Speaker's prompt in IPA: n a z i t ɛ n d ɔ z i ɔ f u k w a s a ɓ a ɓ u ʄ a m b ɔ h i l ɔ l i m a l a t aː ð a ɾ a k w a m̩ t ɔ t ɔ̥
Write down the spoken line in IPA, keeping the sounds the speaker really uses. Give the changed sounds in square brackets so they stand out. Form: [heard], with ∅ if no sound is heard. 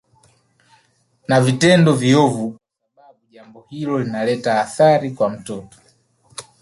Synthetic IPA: n a [v] i t ɛ n d ɔ [v] i ɔ [v] u k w a s a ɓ a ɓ u ʄ a m b ɔ h i l ɔ l i [n] a l [ɛ] t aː [θ] a ɾ [i] k w a m̩ t ɔ t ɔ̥